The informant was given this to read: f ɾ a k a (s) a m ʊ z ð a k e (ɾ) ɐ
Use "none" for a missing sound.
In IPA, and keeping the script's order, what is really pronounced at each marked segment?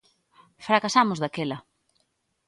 s, l

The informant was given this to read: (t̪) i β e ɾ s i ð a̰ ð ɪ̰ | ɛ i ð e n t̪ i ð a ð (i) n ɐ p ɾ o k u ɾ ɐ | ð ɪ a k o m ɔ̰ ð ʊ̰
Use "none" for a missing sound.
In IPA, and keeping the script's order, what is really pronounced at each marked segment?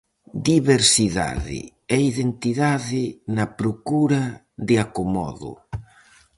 d̪, ɪ

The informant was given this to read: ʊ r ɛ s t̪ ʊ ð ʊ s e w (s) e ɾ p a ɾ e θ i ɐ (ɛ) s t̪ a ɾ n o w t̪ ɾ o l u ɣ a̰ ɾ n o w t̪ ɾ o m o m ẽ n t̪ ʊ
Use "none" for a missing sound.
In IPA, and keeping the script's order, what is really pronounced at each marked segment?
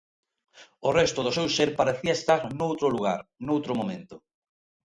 s, e

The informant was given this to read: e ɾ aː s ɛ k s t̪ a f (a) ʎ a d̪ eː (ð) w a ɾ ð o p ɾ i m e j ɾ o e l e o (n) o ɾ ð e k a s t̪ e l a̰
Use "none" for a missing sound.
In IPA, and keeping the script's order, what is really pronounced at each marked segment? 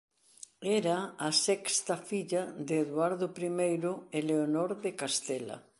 i, ð, n

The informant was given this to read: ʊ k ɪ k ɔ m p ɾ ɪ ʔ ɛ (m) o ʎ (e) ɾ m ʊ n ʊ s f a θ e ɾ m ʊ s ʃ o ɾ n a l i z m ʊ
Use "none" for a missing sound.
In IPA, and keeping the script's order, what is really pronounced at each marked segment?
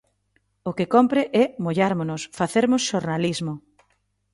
m, a

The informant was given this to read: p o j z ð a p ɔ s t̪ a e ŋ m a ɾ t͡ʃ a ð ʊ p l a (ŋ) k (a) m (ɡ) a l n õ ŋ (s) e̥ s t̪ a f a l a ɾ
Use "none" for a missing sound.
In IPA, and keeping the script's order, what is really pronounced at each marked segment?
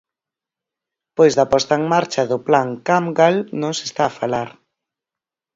ŋ, a, ɡ, s

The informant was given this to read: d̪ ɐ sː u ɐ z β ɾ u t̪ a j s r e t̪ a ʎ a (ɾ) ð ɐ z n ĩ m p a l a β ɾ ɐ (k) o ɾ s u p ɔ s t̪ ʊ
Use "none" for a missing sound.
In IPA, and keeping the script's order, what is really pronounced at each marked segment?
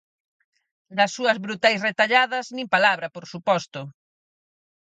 none, p

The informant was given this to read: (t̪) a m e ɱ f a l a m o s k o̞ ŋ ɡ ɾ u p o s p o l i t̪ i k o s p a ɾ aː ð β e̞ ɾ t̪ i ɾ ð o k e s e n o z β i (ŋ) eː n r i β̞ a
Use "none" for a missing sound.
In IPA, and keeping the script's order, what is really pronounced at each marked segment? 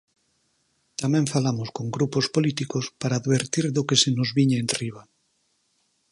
t̪, ɲ

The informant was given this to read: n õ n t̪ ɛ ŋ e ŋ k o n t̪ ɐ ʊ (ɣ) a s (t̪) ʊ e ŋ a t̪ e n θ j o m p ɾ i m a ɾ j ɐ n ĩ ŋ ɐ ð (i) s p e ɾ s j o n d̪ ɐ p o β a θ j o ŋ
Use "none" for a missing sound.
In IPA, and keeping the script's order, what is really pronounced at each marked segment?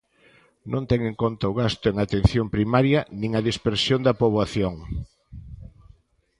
ɣ, t̪, i

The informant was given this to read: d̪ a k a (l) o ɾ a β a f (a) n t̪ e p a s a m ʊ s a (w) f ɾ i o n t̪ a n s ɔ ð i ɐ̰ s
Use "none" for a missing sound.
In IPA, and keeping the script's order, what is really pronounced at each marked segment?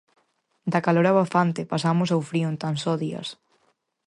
l, a, w

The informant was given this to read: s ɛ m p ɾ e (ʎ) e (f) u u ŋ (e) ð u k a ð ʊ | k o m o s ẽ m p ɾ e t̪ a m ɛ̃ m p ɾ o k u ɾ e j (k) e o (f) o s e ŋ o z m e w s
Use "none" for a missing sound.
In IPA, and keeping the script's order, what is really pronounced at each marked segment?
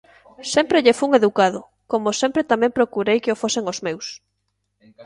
ʎ, f, e, k, f

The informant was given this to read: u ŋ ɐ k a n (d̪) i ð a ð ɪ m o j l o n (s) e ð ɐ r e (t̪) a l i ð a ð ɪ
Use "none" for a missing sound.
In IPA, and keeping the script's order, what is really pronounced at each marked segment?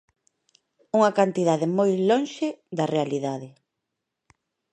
t̪, ʃ, none

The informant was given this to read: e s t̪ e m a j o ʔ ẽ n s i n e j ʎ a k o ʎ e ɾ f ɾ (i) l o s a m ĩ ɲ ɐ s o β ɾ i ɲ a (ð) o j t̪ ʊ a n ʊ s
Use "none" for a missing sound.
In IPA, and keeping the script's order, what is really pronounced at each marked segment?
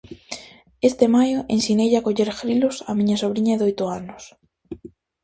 i, ð

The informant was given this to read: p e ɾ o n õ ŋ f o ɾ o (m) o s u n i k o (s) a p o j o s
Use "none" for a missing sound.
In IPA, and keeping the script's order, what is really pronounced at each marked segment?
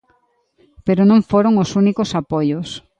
ŋ, s

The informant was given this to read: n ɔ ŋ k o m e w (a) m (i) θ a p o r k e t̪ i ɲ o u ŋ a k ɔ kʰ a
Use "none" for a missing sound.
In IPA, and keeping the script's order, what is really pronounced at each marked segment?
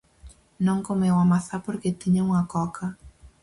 a, a

